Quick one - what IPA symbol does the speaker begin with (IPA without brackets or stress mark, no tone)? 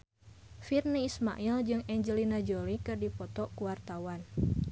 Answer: f